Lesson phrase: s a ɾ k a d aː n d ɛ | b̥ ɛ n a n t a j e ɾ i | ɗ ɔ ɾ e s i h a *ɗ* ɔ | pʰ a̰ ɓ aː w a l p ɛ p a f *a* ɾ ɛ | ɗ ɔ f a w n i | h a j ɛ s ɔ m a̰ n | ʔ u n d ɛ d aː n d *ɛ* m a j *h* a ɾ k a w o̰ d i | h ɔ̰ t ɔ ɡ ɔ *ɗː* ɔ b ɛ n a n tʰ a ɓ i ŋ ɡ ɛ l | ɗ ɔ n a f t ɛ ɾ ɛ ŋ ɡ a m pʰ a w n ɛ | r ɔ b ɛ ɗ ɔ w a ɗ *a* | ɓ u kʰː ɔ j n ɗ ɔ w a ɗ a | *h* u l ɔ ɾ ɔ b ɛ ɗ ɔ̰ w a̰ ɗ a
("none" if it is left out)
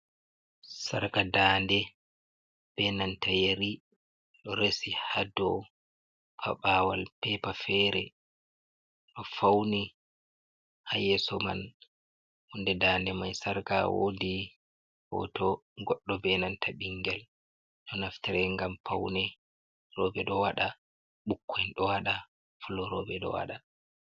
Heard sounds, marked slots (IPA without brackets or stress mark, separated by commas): d, ɛ, ɛ, s, ɗː, a, f